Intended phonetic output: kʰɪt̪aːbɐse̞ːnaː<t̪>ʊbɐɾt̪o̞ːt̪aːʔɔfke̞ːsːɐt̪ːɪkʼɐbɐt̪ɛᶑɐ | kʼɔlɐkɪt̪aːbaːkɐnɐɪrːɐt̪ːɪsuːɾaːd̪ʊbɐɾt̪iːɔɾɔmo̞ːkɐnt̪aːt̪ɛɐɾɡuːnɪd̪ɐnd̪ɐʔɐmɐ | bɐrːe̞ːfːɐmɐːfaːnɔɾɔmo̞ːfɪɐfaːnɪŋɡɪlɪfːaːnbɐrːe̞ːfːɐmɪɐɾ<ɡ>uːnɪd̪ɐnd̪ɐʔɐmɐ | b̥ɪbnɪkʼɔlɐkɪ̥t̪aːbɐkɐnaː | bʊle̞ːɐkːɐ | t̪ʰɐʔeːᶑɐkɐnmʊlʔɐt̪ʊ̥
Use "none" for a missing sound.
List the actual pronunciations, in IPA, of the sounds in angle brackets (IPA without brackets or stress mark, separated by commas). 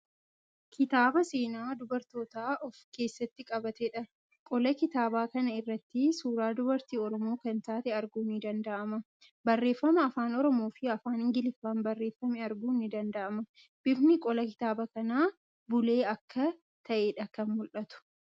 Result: d̪, ɡ